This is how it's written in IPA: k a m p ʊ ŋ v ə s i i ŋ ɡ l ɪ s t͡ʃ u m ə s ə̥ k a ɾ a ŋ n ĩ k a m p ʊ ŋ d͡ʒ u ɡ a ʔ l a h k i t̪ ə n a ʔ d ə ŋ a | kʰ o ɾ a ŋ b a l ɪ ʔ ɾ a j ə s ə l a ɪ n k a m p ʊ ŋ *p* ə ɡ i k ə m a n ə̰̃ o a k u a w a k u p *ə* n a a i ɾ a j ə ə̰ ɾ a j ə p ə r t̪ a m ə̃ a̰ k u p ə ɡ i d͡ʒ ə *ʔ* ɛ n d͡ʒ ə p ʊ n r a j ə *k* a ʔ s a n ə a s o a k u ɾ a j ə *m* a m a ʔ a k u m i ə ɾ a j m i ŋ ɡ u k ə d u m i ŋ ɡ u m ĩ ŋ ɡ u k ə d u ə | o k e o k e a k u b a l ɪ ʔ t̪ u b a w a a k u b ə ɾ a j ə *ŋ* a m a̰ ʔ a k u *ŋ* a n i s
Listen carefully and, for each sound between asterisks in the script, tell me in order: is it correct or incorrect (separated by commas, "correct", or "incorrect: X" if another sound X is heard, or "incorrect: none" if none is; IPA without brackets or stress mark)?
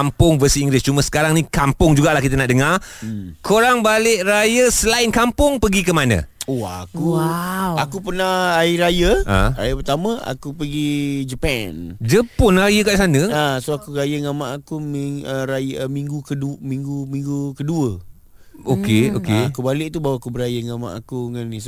correct, correct, incorrect: p, correct, incorrect: ŋ, correct, correct